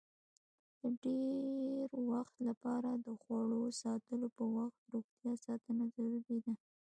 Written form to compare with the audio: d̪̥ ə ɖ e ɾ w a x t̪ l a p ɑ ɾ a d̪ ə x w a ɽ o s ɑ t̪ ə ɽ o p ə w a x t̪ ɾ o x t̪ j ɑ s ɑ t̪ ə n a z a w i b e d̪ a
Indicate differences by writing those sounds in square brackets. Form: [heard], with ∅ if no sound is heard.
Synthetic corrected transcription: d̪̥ ə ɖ e ɾ w a x t̪ l a p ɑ ɾ a d̪ ə x w a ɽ o s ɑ t̪ ə [l] o p ə w a x t̪ ɾ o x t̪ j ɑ s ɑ t̪ ə n a z a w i b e d̪ a